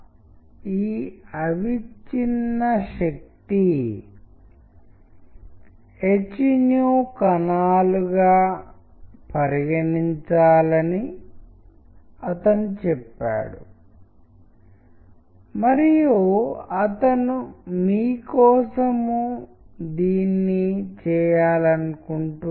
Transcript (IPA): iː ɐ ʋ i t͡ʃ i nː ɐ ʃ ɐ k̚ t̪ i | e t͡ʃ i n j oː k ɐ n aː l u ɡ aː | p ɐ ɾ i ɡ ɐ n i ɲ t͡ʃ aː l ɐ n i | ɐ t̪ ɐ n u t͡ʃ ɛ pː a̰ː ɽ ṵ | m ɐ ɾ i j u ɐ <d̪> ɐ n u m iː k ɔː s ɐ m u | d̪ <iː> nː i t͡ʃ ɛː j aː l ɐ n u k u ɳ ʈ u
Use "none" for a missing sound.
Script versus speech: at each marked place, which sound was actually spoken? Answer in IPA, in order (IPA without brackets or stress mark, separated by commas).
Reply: t̪, iː